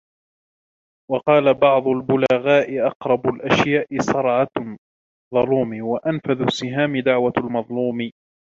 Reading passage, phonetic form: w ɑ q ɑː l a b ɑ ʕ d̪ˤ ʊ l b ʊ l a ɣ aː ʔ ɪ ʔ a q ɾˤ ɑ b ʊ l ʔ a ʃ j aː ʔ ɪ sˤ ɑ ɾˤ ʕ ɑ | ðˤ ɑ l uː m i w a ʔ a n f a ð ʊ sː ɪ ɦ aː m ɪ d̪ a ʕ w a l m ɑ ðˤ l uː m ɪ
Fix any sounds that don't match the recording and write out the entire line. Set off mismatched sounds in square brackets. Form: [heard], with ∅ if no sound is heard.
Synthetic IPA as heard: w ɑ q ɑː l a b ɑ ʕ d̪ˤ ʊ l b ʊ l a ɣ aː ʔ ɪ ʔ [ɑ] q ɾˤ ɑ b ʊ l ʔ a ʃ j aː ʔ ɪ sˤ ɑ ɾˤ ʕ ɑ | ðˤ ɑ l uː m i w a ʔ a n f a ð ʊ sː ɪ ɦ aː m ɪ d̪ a ʕ w a l m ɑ ðˤ l uː m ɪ